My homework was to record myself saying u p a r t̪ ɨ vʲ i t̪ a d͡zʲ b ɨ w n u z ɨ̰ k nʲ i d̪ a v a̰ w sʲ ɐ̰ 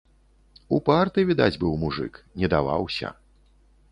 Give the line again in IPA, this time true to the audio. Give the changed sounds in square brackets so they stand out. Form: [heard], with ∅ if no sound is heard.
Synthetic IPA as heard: u p a r t̪ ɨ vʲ i [d̪] a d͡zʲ b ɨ w [m] u [ʐ] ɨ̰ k nʲ [ɛ] d̪ a v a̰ w sʲ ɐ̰